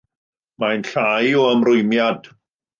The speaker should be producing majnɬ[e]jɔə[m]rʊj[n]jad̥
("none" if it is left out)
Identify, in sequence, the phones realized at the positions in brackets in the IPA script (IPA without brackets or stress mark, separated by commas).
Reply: a, m, m